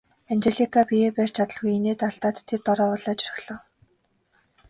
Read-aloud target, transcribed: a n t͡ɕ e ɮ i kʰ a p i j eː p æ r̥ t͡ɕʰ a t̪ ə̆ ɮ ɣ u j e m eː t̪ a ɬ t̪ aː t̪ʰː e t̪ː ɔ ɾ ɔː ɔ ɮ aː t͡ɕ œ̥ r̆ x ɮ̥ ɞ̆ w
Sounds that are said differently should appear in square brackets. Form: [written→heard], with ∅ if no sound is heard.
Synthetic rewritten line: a n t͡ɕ e ɮ i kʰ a p i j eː p æ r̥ t͡ɕʰ a t̪ ə̆ ɮ ɣ u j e [m→n] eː t̪ a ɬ t̪ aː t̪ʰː e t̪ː ɔ ɾ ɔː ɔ ɮ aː t͡ɕ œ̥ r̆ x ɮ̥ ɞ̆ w